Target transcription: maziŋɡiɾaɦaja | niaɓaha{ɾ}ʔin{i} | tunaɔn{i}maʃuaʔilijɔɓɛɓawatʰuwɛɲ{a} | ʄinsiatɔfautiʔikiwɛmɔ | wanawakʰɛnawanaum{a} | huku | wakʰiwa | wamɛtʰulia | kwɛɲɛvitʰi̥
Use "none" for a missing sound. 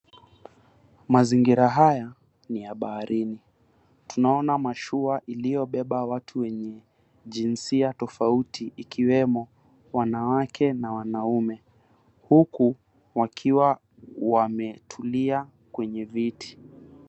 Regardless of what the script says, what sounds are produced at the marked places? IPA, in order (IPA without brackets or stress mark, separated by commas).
ɾ, i, a, ɛ, ɛ